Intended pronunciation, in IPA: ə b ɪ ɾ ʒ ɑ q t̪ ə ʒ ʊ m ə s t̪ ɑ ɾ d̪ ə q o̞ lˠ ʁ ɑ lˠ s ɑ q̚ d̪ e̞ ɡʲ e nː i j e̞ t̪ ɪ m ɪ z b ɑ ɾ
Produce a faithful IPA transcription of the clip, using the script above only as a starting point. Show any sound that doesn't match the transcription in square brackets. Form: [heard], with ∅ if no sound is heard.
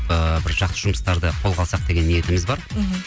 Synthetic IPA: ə b ɪ ɾ ʒ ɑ q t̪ ə ʒ ʊ m ə s t̪ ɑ ɾ d̪ ə [qʰ] o̞ lˠ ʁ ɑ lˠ s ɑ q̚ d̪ e̞ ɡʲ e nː i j e̞ t̪ ɪ m ɪ z b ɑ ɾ